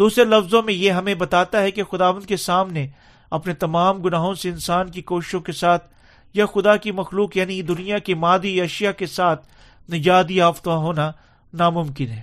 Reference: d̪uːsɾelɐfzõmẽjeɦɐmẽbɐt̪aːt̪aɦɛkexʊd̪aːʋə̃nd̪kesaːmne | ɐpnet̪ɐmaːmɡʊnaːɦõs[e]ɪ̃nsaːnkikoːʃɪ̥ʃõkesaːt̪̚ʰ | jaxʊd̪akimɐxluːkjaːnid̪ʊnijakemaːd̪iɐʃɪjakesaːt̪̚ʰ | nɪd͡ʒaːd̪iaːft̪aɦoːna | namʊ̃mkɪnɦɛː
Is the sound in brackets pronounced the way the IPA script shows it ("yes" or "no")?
yes